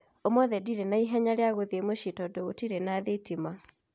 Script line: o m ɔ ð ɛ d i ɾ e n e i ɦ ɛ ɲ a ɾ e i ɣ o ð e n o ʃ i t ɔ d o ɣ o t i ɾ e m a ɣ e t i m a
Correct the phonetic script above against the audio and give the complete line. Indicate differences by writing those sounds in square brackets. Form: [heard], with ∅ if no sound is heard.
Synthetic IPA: o m ɔ ð ɛ d i ɾ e n [a] i ɦ ɛ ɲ a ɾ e [a] ɣ o ð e [m] o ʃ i t ɔ d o ɣ o t i ɾ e [n] a [ð] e t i m a